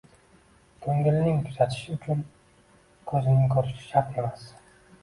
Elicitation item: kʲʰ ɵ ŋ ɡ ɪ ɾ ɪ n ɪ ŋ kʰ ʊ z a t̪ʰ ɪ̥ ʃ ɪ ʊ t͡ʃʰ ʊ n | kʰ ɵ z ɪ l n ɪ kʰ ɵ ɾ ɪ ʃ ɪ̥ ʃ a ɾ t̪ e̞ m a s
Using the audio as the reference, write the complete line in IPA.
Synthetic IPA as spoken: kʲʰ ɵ ŋ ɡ ɪ l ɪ n ɪ ŋ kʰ ʊ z a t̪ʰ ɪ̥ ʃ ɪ ʊ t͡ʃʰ ʊ n | kʰ ɵ z ɪ n ɪ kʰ ɵ ɾ ɪ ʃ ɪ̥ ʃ a ɾ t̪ e̞ m a s